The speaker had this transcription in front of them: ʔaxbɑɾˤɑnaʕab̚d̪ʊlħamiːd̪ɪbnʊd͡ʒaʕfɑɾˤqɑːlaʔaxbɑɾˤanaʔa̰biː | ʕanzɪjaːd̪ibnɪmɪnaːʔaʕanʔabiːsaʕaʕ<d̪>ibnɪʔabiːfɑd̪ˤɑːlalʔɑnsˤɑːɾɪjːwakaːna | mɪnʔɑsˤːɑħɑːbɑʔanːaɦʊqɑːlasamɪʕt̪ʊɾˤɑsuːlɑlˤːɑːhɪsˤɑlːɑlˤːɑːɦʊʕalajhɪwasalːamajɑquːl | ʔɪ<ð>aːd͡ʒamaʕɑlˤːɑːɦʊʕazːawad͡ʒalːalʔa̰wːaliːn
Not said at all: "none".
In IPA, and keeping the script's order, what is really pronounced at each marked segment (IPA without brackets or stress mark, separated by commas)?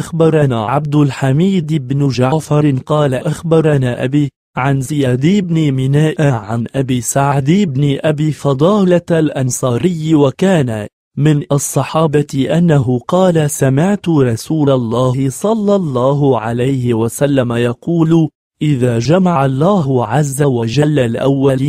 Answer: d̪, ð